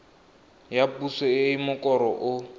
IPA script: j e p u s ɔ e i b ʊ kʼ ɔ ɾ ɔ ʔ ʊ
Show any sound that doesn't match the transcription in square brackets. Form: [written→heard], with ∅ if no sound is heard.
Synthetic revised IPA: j [e→a] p u s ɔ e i [b→m] ʊ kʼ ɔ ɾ ɔ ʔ ʊ